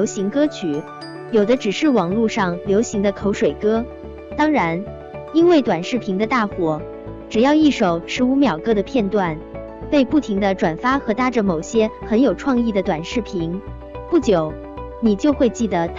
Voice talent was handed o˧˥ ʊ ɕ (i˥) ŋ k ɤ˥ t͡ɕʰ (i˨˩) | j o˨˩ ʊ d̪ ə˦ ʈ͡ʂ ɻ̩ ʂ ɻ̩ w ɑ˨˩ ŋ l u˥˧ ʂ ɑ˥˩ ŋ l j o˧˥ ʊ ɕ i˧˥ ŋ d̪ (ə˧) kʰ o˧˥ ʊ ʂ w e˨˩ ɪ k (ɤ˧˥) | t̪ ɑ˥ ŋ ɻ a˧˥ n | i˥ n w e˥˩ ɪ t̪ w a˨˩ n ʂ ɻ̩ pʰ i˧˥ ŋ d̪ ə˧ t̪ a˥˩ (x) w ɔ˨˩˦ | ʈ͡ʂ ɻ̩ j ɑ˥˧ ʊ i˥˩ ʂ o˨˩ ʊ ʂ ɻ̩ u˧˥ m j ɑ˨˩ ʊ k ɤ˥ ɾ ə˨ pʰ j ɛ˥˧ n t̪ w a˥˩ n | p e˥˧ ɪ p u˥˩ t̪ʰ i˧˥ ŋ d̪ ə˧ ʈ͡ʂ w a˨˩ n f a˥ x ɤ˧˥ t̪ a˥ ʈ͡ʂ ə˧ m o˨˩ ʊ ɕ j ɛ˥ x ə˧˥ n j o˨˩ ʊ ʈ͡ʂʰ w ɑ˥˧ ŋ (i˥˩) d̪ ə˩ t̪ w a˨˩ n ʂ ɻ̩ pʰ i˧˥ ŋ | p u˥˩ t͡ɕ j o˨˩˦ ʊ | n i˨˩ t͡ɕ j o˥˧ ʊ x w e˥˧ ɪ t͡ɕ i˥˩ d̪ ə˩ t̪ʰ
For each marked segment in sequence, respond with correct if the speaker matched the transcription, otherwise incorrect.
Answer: incorrect, incorrect, correct, incorrect, correct, correct

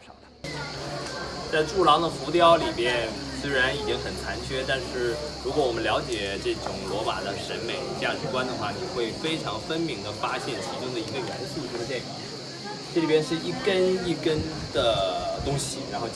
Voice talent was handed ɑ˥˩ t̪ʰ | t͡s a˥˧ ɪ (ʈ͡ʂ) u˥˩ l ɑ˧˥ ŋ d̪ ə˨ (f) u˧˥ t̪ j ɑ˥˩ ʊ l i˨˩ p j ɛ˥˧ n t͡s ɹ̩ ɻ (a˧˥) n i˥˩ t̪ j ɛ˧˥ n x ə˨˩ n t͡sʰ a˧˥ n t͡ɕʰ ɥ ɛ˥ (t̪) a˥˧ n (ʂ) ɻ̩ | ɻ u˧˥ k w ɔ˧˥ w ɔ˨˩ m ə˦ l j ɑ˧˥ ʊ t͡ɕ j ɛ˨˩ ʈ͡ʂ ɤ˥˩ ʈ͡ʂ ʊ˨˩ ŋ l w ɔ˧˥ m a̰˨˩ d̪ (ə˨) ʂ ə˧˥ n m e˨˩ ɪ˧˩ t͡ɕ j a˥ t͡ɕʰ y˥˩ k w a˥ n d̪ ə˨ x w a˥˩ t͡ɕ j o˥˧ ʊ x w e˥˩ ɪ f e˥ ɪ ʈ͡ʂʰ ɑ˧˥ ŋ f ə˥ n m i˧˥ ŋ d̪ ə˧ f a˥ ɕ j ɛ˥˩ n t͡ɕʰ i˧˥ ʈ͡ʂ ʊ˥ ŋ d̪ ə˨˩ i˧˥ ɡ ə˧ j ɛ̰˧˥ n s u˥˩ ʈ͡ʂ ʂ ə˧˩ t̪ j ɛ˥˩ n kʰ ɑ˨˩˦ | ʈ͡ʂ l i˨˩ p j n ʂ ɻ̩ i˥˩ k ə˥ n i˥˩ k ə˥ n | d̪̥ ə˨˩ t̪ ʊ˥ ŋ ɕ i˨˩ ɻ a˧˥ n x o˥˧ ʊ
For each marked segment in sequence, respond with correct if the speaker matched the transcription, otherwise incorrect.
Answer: correct, correct, correct, correct, correct, incorrect

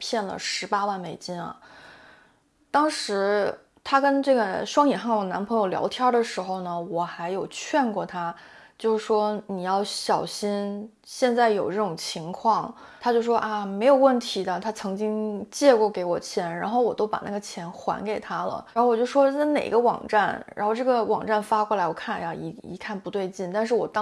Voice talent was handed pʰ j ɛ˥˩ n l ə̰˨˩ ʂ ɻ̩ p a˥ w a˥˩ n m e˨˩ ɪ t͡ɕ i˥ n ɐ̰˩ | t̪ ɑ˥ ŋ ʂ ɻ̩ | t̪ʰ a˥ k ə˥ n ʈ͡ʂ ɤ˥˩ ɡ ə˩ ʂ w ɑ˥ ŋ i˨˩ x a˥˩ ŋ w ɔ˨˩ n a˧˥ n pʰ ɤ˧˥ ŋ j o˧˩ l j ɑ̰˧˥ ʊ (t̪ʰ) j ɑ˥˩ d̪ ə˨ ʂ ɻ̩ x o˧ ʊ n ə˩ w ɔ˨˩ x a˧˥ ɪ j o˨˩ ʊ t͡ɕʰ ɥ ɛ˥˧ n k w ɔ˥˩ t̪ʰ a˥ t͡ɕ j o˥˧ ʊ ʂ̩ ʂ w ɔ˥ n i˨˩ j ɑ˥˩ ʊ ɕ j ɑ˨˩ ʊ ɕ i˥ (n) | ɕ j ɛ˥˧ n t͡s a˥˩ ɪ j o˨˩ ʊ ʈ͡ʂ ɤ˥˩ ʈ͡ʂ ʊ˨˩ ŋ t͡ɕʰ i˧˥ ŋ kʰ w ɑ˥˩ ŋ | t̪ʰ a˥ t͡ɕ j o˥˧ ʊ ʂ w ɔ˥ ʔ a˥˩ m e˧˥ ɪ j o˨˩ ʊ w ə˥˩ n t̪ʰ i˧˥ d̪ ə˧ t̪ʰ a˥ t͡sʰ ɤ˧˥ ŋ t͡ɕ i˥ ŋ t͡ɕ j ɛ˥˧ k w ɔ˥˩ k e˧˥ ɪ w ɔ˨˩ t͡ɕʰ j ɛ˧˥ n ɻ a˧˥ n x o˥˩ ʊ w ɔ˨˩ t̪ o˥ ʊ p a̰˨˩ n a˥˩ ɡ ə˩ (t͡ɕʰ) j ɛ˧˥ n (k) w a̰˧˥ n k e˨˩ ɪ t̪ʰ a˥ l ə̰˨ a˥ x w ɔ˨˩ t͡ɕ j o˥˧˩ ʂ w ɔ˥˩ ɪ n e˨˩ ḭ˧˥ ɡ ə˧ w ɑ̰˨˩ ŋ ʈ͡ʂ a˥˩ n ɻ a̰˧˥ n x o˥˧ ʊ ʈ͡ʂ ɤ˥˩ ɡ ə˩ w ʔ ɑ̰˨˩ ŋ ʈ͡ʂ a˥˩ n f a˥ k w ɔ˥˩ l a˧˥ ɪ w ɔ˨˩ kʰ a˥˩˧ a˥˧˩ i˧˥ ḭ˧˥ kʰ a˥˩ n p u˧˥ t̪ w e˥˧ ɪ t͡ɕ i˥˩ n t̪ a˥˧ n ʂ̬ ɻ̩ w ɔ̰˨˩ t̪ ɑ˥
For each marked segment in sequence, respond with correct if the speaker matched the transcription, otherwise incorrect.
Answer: correct, correct, correct, incorrect

